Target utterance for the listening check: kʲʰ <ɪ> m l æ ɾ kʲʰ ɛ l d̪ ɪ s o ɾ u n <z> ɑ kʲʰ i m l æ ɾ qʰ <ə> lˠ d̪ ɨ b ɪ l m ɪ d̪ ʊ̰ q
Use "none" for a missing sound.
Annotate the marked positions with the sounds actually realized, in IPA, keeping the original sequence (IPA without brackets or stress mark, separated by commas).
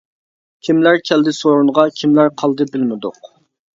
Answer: i, ʁ, ɑ